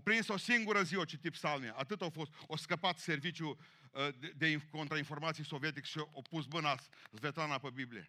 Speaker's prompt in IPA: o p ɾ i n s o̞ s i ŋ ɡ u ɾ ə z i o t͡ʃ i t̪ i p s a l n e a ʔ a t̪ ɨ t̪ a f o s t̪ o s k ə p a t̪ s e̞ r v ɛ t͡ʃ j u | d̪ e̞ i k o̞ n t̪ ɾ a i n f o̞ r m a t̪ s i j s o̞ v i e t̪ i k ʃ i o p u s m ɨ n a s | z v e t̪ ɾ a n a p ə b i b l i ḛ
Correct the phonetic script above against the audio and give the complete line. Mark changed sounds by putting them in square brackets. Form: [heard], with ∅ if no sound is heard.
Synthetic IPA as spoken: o p ɾ i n s o̞ s i ŋ ɡ u ɾ ə z i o t͡ʃ i t̪ i p s a l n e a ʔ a t̪ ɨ t̪ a f o s t̪ o s k ə p a t̪ s e̞ r v [i] t͡ʃ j u | d̪ e̞ i k o̞ n t̪ ɾ a i n f o̞ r m a t̪ s i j s o̞ v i e t̪ i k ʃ i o p u s m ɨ n a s | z v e t̪ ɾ a n a p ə b i b l i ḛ